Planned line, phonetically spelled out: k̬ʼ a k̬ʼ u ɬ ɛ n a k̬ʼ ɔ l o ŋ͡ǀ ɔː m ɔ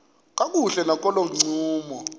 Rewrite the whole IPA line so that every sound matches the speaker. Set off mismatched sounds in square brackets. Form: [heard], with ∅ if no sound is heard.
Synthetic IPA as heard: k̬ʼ a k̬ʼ u ɬ ɛ n a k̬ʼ ɔ l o ŋ͡ǀ [uː] m ɔ

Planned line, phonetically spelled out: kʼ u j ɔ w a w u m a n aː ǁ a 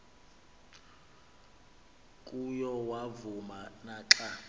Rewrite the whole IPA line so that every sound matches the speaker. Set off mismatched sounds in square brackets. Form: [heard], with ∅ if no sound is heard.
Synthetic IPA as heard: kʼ u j ɔ w a [v] u m a n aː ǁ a

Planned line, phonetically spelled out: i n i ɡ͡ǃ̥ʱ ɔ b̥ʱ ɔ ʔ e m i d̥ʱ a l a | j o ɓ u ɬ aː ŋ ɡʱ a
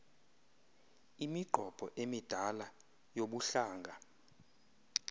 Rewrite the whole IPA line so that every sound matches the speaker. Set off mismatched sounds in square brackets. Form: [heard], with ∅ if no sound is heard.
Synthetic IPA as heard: i [m] i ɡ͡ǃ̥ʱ ɔ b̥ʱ ɔ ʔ e m i d̥ʱ a l a | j o ɓ u ɬ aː ŋ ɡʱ a

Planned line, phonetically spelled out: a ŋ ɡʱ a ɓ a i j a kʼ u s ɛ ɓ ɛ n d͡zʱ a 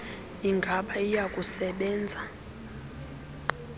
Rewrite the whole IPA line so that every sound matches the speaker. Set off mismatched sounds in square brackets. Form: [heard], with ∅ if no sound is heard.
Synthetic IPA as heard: [i] ŋ ɡʱ a ɓ a i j a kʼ u s ɛ ɓ [ɛː] n d͡zʱ a

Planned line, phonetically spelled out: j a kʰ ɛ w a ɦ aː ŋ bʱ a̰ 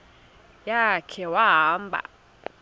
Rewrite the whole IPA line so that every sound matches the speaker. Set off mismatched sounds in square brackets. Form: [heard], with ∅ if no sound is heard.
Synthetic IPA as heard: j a kʰ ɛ w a ɦ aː [m] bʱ a̰

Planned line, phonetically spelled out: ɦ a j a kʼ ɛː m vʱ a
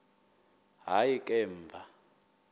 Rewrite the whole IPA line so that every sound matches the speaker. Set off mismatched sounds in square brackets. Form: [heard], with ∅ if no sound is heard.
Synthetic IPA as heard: ɦ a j [i] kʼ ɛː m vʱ a

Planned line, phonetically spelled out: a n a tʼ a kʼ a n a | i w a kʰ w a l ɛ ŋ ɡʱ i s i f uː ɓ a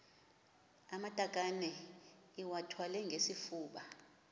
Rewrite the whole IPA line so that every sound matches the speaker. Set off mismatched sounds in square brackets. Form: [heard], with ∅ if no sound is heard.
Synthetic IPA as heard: a [m] a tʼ a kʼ a n [ɛ] | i w a [tʰ] w a l ɛ ŋ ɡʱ [e] s i f uː ɓ a

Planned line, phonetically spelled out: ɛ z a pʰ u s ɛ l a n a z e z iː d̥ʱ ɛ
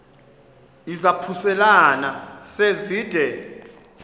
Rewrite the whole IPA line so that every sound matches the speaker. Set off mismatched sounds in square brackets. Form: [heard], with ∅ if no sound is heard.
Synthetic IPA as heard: [i] z a pʰ u s ɛ l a n a [s] e z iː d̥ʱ ɛ

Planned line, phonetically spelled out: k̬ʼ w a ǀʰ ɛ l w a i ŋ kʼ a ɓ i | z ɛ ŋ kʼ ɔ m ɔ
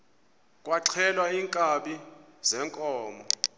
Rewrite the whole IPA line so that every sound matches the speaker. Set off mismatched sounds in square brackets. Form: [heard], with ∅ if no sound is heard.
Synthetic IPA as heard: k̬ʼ w a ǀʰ ɛ l w a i ŋ kʼ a ɓ i | z ɛ ŋ kʼ [ɔː] m ɔ

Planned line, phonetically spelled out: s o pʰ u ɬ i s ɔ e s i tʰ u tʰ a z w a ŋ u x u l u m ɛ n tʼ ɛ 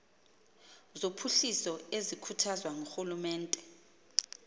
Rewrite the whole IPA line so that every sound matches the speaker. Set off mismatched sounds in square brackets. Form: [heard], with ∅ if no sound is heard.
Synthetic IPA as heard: [z] o pʰ u ɬ i s ɔ e [z] i [kʰ] u tʰ a z w a ŋ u x u l u m [ɛː] n tʼ ɛ

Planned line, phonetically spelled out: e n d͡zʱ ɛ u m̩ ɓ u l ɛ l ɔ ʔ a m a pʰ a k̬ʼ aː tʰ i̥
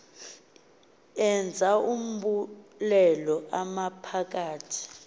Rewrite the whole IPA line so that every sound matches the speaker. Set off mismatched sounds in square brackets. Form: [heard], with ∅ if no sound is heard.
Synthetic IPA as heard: [ɛ] n d͡zʱ [a] u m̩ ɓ u l ɛ l ɔ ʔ a m a pʰ a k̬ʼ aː tʰ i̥

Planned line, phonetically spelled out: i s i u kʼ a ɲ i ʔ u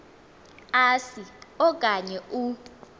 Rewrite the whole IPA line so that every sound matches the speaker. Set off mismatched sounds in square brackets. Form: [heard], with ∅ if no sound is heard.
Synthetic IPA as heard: [a] s i [ɔ] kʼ a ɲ [ɛ] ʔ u

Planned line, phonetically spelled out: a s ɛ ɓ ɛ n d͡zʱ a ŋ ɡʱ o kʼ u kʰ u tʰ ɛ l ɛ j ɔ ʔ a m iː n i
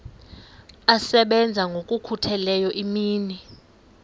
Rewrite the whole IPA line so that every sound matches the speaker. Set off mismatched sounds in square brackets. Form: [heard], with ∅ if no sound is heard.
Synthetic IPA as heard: a s ɛ ɓ ɛ n d͡zʱ a ŋ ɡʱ o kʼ u kʰ u tʰ ɛ l ɛ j ɔ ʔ [i] m iː n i

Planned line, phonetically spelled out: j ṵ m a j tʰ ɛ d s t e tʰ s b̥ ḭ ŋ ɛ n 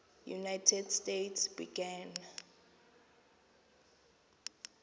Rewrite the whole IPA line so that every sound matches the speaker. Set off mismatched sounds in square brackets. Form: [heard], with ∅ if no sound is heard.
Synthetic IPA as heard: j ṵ [n] a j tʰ ɛ d s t e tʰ s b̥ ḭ [ɡ] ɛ n

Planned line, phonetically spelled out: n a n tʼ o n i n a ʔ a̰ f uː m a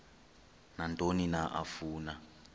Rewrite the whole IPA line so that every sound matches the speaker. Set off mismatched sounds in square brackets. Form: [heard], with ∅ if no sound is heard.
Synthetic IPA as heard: n a n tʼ o n i n a ʔ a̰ f uː [n] a

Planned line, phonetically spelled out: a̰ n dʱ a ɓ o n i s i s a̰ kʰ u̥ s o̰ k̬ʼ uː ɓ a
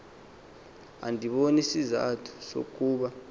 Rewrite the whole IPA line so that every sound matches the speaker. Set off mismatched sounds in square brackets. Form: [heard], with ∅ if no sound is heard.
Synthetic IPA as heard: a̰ n dʱ [i] ɓ o n i s i [z] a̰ [tʰ] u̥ s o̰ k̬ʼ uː ɓ a

